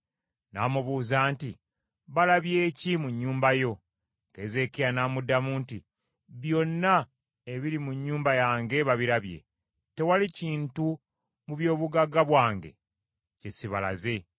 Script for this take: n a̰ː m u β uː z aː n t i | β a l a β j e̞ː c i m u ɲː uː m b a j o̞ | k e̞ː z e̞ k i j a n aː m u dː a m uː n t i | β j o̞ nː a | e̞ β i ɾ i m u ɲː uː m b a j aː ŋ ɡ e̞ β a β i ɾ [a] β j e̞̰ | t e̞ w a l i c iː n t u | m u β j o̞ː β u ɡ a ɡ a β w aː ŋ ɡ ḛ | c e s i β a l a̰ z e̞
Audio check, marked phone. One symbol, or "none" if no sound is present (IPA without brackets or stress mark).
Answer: a